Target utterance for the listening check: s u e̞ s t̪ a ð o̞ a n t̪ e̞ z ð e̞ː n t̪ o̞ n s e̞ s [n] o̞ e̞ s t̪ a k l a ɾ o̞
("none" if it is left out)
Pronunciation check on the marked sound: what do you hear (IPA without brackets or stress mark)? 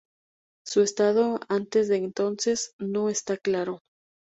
n